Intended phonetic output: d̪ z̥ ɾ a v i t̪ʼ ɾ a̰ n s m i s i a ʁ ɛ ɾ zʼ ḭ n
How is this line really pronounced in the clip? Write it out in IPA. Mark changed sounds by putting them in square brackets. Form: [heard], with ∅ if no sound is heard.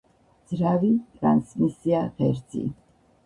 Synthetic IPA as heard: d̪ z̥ ɾ a v i t̪ʼ ɾ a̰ n s m i s i a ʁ ɛ ɾ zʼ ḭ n